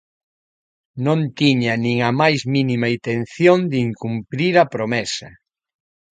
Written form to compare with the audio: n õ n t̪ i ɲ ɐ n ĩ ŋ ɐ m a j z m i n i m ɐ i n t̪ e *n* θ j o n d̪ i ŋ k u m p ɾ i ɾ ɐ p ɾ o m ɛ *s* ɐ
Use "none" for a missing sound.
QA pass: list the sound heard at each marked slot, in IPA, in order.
n, s

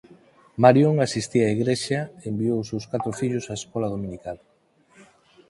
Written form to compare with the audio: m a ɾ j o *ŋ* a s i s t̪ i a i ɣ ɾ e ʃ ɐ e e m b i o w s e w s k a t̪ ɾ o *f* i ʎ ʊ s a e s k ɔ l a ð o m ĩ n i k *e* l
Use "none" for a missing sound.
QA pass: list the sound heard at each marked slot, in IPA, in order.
ŋ, f, a

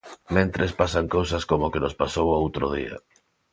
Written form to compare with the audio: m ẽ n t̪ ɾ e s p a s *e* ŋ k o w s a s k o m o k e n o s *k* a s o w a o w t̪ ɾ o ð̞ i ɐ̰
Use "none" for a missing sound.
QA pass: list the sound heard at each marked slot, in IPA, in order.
a, p

